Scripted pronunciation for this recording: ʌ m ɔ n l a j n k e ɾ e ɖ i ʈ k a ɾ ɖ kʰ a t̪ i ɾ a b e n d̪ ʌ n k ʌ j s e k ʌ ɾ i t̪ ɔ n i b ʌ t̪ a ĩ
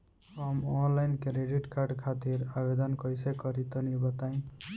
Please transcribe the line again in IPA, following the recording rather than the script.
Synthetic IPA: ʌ m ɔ n l a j n k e ɾ e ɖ i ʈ k a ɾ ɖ kʰ a t̪ i ɾ a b e d̪ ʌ n k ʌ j s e k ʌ ɾ i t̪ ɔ n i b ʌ t̪ a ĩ